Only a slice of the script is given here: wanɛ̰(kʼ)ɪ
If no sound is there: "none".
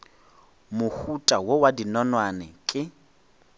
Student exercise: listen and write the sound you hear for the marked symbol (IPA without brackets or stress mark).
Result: kʼ